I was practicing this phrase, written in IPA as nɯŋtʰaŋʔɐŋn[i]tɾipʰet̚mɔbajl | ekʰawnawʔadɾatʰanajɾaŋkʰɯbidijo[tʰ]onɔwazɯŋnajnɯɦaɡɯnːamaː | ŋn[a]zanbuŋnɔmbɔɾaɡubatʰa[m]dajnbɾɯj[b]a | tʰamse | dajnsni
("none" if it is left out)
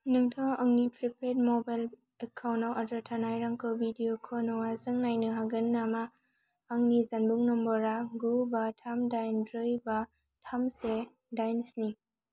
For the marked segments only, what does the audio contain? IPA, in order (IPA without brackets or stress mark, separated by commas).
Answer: i, kʰ, i, m, b